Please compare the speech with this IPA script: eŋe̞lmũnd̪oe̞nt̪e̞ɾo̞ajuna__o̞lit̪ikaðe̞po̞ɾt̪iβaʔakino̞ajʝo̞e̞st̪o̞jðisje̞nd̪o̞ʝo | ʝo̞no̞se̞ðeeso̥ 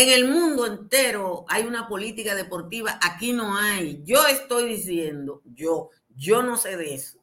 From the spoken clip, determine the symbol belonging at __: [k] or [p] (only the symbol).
p